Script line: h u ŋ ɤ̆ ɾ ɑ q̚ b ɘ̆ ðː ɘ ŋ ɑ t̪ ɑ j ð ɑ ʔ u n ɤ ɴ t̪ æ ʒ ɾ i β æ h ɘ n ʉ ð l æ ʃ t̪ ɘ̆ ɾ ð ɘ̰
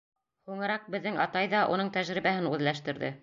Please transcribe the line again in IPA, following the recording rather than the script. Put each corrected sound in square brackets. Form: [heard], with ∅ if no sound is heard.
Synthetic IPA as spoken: h u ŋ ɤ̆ ɾ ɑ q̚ b ɘ̆ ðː ɘ ŋ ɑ t̪ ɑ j ð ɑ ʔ u n ɤ ɴ t̪ æ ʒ ɾ i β æ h ɘ n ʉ ð l æ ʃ t̪ ɘ̆ ɾ ð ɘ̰